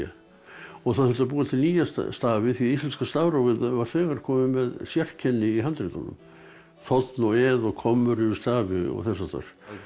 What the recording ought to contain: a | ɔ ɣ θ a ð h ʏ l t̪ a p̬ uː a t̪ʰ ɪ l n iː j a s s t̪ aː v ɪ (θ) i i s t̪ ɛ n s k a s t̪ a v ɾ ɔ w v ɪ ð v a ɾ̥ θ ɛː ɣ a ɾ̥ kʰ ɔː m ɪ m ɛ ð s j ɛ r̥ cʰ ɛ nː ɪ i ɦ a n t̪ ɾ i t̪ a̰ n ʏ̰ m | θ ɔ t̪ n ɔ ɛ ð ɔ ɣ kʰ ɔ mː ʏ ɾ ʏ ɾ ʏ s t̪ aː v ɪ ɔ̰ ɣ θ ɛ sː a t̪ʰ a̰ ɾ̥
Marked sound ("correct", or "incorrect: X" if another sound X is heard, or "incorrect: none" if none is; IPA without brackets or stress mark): correct